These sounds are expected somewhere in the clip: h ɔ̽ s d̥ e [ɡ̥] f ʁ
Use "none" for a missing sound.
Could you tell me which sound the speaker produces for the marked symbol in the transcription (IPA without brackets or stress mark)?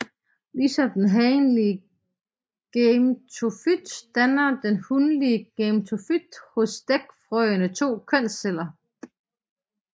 ɡ̥